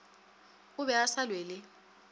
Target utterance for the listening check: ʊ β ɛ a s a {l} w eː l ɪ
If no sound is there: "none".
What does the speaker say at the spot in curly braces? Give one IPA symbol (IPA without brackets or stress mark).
l